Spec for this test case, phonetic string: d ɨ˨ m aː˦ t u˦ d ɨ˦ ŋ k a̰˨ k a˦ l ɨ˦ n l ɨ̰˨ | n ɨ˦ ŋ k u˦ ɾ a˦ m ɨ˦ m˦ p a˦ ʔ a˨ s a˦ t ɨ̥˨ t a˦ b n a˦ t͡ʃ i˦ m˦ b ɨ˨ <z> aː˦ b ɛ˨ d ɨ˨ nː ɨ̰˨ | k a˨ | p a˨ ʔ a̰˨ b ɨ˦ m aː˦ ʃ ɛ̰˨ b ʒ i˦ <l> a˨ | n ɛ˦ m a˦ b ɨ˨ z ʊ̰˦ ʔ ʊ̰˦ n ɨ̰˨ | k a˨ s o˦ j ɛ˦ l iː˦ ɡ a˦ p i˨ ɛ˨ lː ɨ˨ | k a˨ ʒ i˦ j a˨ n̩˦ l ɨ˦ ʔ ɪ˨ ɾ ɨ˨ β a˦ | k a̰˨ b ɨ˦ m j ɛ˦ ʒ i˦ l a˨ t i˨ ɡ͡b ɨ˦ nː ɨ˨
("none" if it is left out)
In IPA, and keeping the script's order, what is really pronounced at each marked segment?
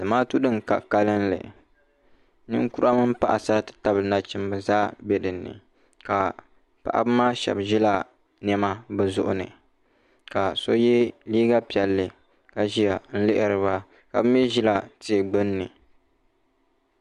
z, l

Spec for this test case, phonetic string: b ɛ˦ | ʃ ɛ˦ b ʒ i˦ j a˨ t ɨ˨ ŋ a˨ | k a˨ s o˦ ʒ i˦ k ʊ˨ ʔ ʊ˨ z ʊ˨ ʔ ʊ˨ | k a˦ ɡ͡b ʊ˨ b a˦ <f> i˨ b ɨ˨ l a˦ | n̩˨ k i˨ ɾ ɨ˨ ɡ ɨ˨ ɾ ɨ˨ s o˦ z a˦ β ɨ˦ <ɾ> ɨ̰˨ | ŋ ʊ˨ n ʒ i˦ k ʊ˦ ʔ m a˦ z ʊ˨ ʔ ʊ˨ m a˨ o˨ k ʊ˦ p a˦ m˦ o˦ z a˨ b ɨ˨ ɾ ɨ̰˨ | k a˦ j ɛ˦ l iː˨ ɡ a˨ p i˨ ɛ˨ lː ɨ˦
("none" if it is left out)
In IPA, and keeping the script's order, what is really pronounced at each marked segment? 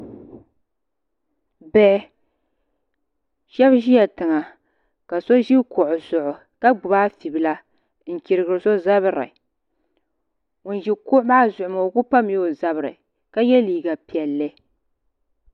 f, ɾ

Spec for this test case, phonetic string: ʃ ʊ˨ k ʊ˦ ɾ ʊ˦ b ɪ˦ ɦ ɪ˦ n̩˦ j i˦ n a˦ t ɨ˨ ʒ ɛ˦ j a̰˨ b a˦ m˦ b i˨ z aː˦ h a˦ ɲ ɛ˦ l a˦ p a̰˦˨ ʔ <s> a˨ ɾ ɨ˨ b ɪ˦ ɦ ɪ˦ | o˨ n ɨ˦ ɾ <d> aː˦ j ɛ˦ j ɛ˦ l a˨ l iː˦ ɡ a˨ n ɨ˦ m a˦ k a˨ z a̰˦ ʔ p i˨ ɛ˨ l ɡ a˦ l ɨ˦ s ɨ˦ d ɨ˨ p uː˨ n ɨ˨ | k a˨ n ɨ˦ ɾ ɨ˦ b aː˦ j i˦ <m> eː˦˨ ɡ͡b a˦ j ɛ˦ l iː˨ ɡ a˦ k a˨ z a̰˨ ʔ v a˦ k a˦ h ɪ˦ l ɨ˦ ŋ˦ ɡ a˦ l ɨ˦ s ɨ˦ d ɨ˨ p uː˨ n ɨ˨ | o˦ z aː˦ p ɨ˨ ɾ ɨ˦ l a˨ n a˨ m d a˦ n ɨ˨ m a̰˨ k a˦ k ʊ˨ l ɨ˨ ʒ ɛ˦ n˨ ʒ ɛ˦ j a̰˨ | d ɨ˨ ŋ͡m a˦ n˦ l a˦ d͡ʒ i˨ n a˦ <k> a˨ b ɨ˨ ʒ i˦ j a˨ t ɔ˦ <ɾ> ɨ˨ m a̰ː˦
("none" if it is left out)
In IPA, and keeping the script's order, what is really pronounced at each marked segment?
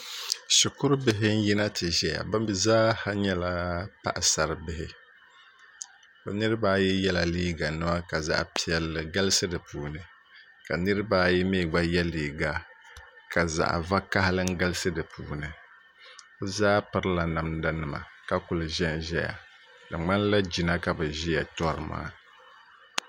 s, b, m, k, ɾ

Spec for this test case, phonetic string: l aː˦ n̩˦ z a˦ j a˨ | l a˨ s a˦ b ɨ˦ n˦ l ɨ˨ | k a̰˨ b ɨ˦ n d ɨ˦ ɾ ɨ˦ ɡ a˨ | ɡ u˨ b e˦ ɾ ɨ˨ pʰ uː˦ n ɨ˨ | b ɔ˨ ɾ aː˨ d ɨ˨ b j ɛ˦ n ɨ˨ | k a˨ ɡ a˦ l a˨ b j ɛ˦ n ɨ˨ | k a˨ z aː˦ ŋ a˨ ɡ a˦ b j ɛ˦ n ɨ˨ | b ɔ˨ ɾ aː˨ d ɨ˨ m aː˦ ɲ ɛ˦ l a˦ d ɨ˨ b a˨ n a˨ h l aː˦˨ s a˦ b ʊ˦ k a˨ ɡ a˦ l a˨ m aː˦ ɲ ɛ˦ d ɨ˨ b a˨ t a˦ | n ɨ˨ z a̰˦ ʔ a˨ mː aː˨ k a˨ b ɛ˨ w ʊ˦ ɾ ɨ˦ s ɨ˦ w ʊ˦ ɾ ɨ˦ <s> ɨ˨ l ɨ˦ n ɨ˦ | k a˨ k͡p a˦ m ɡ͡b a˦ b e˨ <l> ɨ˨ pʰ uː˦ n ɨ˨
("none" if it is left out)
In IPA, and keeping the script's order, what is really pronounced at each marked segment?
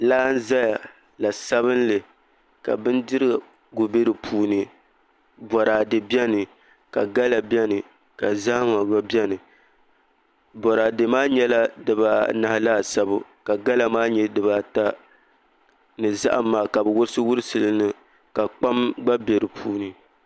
s, ɾ

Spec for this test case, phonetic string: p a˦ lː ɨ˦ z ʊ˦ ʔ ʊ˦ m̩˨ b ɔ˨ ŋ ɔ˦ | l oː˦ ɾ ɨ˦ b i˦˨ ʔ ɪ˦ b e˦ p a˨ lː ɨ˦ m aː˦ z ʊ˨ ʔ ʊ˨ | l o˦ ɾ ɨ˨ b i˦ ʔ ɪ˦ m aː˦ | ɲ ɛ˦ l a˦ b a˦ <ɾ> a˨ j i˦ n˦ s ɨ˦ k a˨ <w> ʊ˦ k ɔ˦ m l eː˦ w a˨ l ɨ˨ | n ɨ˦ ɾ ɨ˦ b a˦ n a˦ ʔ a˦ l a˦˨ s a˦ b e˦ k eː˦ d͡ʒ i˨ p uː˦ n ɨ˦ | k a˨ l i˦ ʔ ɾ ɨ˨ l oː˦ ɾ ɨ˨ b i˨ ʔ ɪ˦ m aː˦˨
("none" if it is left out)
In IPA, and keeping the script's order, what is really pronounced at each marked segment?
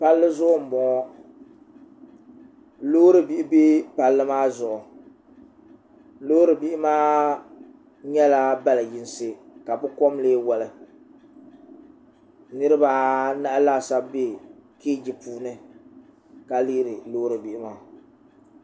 l, b

